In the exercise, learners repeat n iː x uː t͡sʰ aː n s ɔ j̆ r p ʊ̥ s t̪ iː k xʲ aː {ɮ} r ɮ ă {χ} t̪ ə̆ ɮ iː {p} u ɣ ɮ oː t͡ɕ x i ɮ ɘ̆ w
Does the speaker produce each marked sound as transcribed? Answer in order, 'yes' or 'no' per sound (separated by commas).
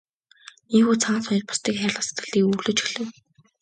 no, no, no